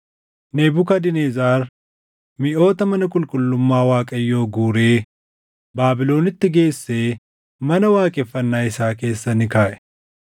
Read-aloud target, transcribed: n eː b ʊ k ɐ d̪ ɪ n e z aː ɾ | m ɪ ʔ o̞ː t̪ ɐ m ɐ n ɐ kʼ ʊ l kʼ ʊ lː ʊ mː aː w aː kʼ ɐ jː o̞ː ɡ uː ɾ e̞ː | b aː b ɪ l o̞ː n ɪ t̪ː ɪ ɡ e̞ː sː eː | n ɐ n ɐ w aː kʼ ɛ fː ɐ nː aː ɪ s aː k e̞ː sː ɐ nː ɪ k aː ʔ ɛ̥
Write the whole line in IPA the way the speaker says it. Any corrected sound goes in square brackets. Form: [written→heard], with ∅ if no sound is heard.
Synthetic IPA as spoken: n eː b ʊ k ɐ d̪ ɪ n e z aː ɾ | m ɪ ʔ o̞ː t̪ ɐ m ɐ n ɐ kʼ ʊ l kʼ ʊ lː ʊ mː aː w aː kʼ ɐ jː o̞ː ɡ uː ɾ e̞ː | b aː b ɪ l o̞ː n ɪ t̪ː ɪ ɡ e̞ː sː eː | [n→m] ɐ n ɐ w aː kʼ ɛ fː ɐ nː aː ɪ s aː k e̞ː sː ɐ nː ɪ k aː ʔ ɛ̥